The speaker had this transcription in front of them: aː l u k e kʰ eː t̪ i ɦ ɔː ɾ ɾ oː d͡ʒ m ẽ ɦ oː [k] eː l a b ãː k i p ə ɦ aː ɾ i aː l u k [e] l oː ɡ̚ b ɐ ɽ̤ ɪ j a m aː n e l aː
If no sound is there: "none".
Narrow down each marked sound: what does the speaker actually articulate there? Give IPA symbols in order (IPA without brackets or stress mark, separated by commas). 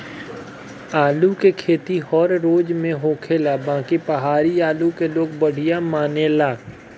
kʰ, e